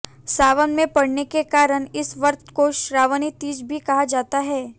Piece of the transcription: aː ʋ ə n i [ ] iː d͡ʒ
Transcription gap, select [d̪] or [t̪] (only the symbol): t̪